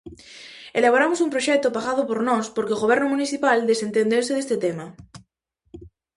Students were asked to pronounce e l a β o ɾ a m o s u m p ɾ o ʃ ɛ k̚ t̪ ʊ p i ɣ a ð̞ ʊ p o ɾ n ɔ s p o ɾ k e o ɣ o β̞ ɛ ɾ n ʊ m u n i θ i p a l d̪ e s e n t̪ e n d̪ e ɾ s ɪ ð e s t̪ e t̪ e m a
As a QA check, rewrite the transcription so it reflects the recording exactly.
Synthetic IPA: e l a β o ɾ a m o s u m p ɾ o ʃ ɛ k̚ t̪ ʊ p a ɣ a ð̞ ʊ p o ɾ n ɔ s p o ɾ k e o ɣ o β̞ ɛ ɾ n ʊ m u n i θ i p a l d̪ e s e n t̪ e n d̪ e ɾ s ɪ ð e s t̪ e t̪ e m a